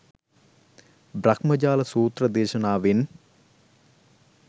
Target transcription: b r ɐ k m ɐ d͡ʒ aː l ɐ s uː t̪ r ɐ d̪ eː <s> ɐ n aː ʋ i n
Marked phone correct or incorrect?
incorrect